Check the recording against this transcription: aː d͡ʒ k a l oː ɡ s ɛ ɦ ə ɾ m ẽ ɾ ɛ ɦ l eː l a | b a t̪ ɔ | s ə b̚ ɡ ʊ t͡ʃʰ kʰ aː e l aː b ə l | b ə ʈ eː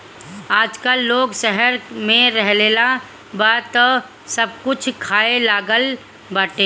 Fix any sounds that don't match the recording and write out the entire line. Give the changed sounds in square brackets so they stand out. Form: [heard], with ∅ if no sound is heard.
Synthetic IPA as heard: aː d͡ʒ k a [lː] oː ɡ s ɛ ɦ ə ɾ m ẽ ɾ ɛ ɦ l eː l a | b a t̪ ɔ | s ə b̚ [k] ʊ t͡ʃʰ kʰ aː e l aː [ɡ] ə l | b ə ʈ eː

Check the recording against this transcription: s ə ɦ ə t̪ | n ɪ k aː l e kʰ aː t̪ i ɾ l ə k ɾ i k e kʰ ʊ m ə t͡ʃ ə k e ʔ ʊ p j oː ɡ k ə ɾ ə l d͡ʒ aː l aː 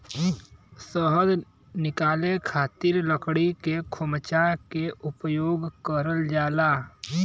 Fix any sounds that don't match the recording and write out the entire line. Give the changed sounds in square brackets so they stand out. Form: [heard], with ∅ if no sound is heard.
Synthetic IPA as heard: s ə ɦ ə [d̪] | n ɪ k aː l e kʰ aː t̪ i ɾ l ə k [ɽ] i k e kʰ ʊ m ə t͡ʃ [a] k e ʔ ʊ p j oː ɡ k ə ɾ ə l d͡ʒ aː l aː

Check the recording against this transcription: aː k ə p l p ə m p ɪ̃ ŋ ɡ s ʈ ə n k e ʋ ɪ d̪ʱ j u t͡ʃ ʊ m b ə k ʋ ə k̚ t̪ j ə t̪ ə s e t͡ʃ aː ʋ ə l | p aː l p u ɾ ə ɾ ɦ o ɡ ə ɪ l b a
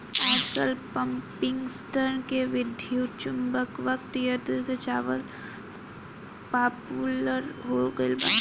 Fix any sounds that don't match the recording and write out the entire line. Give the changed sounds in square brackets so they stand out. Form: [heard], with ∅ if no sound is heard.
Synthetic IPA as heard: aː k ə [∅] l p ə m p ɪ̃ ŋ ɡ s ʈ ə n k e ʋ ɪ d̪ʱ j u t͡ʃ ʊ m b ə k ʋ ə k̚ t̪ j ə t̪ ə s e t͡ʃ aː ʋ ə l | p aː [∅] p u [l] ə ɾ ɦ o ɡ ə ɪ l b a

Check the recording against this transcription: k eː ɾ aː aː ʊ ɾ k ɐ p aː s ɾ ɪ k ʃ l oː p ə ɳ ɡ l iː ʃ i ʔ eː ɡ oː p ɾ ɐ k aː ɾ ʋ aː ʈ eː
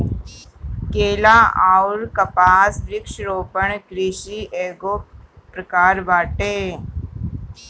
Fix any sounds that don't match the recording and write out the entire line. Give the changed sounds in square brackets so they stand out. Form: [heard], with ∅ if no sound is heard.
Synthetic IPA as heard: k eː [l] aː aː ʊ ɾ k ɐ p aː s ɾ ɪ k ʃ [ɾ] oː p ə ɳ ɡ [ɾ] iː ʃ i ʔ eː ɡ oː p ɾ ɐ k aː ɾ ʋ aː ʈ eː

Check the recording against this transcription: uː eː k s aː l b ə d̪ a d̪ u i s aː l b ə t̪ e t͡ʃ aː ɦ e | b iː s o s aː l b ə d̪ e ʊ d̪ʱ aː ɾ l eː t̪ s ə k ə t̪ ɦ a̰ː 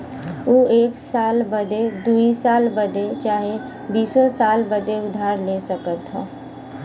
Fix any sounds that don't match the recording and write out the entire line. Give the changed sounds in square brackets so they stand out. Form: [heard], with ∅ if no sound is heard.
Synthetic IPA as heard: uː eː k s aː l b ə d̪ [e] d̪ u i s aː l b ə [d̪] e t͡ʃ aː ɦ e | b iː s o s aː l b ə d̪ e ʊ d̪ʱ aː ɾ l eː [∅] s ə k ə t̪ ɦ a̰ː

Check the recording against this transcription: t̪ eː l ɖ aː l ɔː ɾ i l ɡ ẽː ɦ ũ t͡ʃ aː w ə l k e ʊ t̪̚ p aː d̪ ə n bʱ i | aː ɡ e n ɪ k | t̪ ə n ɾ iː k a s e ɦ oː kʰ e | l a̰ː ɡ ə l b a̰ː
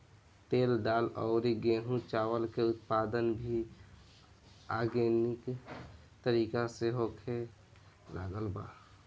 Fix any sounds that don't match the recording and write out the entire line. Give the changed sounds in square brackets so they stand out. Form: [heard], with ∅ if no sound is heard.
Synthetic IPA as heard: t̪ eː l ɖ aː l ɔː ɾ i [∅] ɡ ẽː ɦ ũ t͡ʃ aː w ə l k e ʊ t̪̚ p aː d̪ ə n bʱ i | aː ɡ e n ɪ k | t̪ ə [∅] ɾ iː k a s e ɦ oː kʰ e | l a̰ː ɡ ə l b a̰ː

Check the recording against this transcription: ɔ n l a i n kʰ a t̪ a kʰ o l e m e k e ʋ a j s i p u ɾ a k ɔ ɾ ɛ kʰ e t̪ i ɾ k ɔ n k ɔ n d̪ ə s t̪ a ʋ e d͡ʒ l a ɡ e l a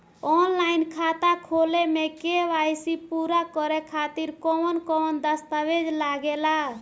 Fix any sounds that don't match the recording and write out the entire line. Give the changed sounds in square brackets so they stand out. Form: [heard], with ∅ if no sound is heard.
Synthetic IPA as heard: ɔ n l a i n kʰ a t̪ a kʰ o l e m e k e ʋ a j s i p u ɾ a k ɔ ɾ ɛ kʰ [a] t̪ i ɾ k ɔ n k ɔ n d̪ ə s t̪ a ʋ e d͡ʒ l a ɡ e l a

